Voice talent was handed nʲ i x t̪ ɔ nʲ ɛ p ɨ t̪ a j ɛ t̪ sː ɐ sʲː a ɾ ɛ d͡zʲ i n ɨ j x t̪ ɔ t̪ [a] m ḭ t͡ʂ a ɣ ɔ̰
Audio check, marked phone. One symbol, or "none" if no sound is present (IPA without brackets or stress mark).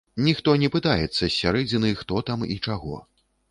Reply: a